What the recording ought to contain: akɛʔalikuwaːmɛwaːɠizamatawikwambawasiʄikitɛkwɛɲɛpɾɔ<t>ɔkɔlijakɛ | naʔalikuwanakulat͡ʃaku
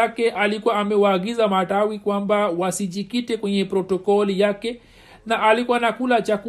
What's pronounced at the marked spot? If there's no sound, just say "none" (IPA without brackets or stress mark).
t